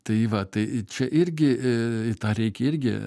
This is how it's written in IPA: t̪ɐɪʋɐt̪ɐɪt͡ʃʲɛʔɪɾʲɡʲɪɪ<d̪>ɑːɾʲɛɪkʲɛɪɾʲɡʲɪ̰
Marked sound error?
yes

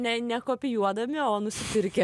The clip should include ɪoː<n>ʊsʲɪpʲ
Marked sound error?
no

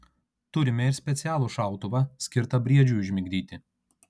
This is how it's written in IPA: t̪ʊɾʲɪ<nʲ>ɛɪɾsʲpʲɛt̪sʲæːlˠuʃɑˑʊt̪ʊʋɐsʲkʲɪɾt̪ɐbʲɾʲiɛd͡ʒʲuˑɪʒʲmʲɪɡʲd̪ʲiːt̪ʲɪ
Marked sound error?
yes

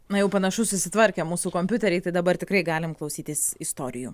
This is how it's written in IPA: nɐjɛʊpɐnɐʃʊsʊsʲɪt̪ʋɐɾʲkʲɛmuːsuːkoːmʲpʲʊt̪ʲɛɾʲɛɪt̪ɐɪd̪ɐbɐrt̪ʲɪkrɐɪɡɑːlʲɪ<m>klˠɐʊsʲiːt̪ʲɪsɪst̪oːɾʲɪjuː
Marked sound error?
no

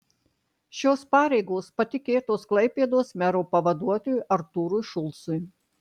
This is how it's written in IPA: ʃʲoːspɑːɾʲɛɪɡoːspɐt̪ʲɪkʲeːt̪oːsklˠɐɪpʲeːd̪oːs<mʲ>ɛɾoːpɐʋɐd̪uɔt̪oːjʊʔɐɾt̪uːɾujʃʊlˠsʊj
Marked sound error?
no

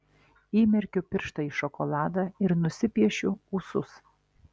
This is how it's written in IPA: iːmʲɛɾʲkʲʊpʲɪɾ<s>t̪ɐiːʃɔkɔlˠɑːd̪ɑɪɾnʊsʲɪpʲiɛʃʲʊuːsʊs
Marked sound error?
yes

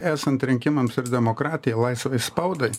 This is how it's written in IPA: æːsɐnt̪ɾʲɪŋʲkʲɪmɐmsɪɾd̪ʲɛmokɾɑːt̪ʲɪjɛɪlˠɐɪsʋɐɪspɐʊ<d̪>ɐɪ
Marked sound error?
no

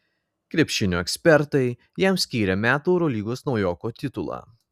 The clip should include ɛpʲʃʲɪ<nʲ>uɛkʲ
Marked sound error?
no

